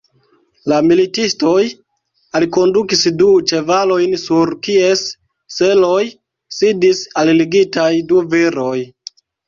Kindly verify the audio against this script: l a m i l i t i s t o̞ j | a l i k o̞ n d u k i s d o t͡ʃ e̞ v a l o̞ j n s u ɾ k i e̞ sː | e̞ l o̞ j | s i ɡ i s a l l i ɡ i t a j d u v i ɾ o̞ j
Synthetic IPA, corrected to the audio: l a m i l i t i s t o̞ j | a l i k o̞ n d u k i s d u t͡ʃ e̞ v a l o̞ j n s u ɾ k i e̞ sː | e̞ l o̞ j | s i d i s a l l i ɡ i t a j d u v i ɾ o̞ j